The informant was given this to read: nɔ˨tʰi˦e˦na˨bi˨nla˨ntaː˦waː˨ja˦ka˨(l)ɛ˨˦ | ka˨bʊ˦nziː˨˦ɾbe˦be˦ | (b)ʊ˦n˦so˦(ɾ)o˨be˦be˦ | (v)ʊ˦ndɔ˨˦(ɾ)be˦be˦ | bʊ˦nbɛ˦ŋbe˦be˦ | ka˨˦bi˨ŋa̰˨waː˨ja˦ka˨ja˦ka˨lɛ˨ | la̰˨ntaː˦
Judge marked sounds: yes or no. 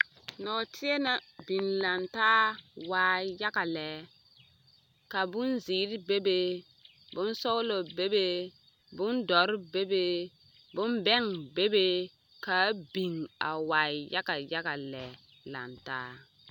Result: yes, yes, no, no, yes

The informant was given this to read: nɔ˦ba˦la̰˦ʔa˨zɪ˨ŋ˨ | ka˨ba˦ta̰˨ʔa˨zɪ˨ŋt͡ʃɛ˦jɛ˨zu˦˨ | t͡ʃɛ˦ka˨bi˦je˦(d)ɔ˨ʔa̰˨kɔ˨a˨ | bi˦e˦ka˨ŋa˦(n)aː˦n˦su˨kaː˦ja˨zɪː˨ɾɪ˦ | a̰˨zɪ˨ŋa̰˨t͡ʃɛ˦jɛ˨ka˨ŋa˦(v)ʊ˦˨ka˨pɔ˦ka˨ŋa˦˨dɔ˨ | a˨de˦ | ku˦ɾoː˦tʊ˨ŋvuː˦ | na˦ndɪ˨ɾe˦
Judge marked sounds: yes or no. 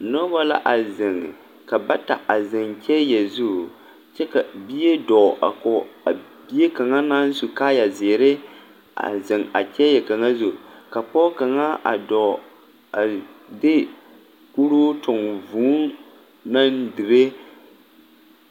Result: yes, yes, no

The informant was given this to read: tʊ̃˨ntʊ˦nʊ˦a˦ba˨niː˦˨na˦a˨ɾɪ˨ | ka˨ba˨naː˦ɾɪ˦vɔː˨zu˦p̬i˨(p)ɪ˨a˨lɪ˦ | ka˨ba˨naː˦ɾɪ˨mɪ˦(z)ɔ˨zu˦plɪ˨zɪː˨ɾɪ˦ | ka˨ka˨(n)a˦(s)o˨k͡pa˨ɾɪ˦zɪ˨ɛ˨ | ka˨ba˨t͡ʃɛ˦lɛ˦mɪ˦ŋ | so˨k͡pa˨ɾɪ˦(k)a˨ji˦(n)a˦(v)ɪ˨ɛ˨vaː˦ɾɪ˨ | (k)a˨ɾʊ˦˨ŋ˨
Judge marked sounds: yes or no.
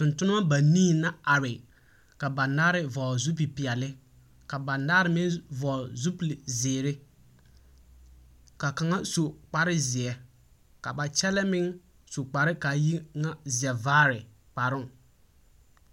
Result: yes, no, no, yes, yes, no, no, no

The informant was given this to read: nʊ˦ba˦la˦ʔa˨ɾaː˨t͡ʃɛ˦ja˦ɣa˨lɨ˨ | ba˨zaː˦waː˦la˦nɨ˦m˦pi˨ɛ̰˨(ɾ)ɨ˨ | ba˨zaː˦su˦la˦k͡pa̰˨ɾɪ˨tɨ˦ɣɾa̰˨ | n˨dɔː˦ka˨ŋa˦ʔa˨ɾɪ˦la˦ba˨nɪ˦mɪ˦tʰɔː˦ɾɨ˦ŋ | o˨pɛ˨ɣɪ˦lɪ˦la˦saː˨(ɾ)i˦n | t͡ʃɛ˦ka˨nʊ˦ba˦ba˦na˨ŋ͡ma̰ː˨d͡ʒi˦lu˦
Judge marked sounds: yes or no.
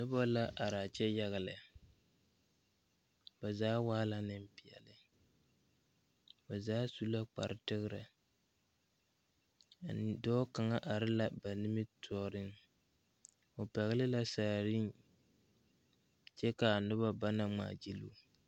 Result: no, yes

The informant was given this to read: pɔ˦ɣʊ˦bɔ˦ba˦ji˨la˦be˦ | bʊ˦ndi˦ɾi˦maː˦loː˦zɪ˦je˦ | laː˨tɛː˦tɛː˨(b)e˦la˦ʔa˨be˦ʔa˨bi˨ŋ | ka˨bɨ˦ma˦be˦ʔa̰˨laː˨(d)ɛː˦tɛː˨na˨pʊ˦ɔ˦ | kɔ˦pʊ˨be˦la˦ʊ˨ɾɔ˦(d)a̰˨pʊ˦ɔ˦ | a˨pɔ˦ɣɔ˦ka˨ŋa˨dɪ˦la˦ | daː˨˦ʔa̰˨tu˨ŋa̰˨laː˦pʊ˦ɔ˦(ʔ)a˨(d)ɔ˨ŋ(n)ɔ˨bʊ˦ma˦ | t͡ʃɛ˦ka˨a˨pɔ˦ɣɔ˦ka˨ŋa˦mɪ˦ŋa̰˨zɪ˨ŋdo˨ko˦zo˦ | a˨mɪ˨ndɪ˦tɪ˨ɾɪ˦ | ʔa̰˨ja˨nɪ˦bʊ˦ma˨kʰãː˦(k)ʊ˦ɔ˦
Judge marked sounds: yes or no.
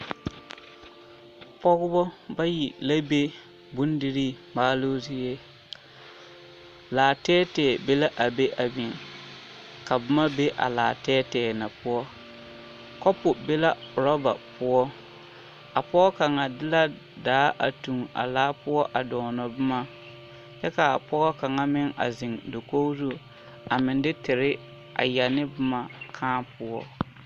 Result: yes, no, no, yes, yes, yes, no

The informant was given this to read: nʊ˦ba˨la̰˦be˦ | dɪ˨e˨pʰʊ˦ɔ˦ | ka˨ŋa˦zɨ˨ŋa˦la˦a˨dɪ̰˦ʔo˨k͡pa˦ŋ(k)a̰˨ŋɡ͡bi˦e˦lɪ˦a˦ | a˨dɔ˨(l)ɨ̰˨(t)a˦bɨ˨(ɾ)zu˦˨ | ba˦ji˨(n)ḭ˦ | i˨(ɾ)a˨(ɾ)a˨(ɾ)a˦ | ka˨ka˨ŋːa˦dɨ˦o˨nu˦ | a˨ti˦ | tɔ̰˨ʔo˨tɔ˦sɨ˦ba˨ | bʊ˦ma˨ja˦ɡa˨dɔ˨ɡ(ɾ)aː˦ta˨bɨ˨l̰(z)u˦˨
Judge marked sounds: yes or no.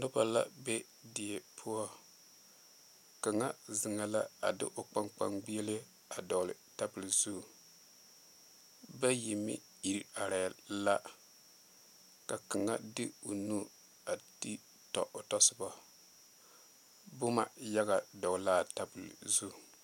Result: no, yes, yes, no, no, yes, yes, no, no, yes

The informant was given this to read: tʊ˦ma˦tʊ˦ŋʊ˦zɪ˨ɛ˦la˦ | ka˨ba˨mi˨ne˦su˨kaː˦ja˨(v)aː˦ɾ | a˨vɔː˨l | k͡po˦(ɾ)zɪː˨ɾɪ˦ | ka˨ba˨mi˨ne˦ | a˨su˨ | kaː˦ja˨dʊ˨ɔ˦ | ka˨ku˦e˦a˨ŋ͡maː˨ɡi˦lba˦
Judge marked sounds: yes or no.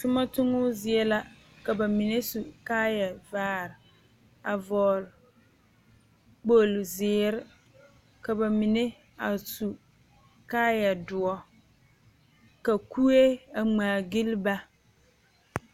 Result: yes, no

